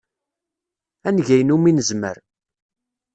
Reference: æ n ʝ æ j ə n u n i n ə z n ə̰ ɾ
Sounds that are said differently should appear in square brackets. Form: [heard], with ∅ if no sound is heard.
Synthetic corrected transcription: æ n ʝ æ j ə n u [m] i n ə z [m] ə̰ ɾ